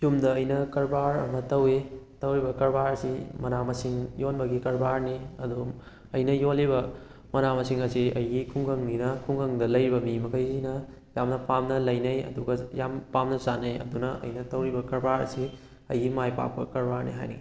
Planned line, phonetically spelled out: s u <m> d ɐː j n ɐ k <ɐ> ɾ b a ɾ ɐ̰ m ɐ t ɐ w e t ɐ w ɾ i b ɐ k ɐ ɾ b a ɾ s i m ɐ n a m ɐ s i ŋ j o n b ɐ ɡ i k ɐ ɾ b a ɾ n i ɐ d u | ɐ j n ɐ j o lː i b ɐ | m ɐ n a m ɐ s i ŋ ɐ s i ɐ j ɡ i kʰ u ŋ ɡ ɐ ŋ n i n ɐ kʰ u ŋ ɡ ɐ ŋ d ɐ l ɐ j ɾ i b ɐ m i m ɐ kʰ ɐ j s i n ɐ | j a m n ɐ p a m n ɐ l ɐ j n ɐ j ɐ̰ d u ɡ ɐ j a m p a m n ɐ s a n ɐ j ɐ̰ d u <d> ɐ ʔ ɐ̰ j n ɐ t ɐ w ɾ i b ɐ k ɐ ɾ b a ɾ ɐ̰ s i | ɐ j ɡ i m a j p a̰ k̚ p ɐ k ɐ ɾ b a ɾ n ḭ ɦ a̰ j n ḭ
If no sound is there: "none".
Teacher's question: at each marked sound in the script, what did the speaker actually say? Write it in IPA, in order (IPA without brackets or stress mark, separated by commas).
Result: m, ɐ, n